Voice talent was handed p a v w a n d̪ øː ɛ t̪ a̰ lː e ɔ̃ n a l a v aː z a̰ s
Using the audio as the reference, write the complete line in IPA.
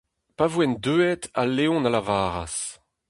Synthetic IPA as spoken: p a v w ɛ n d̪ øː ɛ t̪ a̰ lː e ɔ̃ n a l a v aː ʁ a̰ s